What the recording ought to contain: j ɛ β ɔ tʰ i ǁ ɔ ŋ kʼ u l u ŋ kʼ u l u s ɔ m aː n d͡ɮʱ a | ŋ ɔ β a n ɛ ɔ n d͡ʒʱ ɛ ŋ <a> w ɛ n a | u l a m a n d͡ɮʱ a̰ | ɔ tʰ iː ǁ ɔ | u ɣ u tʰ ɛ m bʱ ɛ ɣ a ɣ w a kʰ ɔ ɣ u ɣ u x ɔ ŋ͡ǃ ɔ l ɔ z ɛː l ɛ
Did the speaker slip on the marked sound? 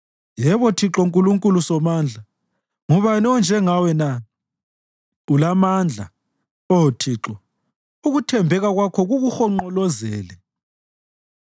no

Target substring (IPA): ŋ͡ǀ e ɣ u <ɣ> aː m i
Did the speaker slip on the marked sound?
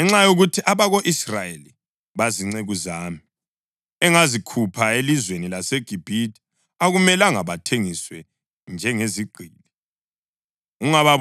yes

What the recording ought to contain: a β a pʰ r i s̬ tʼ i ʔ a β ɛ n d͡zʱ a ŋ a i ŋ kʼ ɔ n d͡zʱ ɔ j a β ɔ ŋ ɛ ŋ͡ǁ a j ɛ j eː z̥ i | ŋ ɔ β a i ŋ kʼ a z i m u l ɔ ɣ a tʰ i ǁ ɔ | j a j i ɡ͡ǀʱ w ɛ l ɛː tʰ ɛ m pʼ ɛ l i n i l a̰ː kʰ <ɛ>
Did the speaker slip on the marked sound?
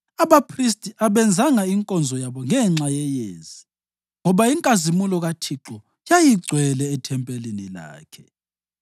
no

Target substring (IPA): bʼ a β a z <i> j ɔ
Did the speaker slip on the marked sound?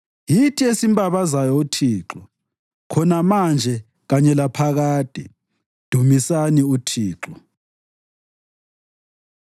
yes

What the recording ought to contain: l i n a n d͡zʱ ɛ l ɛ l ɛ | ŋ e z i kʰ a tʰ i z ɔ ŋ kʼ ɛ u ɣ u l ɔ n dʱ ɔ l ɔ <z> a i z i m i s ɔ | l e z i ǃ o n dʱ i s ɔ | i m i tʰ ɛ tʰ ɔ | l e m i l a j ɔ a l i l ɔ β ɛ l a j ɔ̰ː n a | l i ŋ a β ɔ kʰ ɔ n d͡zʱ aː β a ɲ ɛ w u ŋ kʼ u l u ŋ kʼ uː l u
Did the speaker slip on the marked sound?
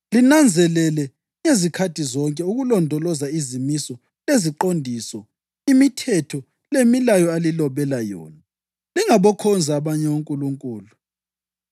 no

